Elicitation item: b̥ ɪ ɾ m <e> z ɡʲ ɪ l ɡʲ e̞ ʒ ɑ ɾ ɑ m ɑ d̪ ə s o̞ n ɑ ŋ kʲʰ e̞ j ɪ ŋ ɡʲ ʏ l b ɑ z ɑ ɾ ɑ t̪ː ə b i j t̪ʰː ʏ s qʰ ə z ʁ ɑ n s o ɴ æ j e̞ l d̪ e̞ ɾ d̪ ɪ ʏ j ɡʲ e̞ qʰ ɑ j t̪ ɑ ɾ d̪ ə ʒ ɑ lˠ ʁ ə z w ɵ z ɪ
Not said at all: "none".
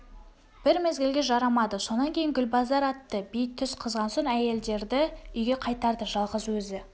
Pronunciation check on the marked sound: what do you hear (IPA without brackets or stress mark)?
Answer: e